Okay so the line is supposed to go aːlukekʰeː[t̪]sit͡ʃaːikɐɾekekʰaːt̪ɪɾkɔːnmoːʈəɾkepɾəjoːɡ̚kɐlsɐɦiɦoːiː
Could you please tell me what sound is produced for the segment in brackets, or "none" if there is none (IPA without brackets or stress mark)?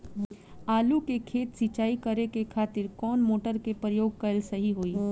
t̪